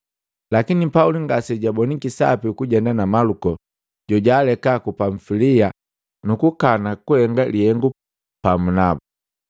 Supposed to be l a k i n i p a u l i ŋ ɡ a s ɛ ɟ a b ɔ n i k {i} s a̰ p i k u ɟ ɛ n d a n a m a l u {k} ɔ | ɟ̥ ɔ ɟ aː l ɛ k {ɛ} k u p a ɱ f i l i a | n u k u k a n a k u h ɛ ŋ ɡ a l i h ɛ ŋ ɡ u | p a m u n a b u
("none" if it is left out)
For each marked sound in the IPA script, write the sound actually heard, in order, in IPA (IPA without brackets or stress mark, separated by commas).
i, k, a